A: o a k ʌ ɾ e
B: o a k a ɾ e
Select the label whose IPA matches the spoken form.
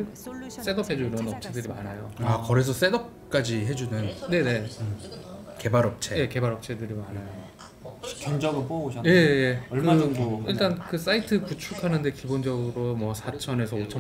A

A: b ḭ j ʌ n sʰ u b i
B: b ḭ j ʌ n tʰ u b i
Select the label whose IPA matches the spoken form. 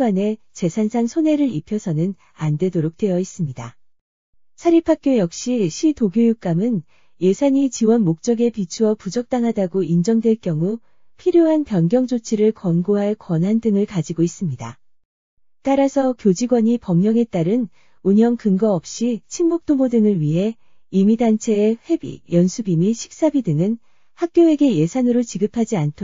A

